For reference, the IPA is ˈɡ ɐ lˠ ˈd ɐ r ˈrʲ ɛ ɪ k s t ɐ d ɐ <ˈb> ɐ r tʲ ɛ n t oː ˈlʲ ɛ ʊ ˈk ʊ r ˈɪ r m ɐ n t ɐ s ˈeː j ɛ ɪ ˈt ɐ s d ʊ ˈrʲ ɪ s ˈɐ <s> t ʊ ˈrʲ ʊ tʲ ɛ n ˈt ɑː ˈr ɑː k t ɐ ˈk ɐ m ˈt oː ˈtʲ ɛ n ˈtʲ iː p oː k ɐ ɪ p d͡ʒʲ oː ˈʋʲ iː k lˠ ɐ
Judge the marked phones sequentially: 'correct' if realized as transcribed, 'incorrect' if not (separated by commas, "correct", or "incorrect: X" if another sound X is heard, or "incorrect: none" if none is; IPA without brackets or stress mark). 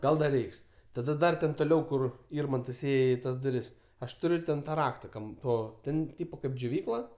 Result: incorrect: d, incorrect: ʃ